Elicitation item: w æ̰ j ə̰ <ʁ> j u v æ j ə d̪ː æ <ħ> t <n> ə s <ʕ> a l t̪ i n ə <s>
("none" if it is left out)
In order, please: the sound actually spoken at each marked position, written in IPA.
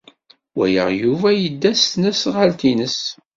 ʁ, s, n, ʁ, s

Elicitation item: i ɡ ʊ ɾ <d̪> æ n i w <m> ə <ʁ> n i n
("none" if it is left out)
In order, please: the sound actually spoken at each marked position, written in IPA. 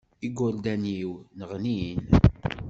d̪, n, ʁ

